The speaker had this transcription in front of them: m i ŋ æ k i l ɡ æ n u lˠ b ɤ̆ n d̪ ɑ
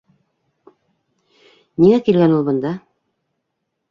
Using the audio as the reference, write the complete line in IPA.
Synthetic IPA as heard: n i ŋ æ k i l ɡ æ n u lˠ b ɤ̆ n d̪ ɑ